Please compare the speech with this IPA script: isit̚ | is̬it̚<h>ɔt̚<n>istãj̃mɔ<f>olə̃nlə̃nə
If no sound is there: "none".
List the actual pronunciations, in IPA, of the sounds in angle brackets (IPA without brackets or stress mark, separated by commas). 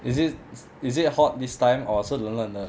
h, d, s